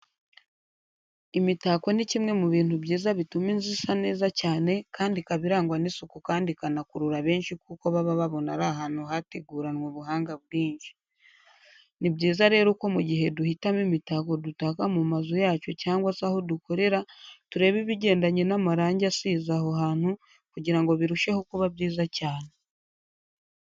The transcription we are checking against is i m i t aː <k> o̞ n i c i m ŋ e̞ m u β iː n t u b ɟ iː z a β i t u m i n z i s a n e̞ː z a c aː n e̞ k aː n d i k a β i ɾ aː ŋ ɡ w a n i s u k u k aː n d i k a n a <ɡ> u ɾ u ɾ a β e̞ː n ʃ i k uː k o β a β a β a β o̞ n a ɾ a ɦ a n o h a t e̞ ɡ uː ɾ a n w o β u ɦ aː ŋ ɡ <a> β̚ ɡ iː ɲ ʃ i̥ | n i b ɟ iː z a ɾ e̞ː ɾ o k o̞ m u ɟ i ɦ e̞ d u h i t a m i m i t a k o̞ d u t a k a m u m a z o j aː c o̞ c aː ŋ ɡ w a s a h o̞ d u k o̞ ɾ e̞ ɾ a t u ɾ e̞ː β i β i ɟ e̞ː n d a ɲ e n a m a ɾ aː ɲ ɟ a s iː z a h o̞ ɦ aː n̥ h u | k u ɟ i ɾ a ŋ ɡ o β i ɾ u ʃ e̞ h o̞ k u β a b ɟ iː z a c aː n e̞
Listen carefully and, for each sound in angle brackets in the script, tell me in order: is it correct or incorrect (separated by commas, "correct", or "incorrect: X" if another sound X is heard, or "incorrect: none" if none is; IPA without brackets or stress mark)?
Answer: correct, incorrect: k, correct